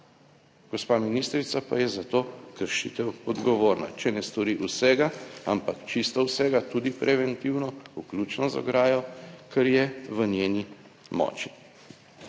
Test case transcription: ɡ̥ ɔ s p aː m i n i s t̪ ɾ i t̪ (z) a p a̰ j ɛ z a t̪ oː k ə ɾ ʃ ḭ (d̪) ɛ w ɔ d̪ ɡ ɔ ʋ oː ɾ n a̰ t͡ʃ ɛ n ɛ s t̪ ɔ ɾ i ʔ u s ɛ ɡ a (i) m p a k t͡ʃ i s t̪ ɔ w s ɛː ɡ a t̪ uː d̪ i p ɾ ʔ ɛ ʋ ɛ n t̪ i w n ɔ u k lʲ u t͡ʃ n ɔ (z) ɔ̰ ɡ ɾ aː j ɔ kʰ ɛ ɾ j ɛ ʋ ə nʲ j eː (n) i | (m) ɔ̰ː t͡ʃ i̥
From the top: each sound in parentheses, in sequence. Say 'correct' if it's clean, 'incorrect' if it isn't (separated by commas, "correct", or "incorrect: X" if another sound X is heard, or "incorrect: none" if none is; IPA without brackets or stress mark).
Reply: incorrect: s, incorrect: t̪, incorrect: a, correct, correct, correct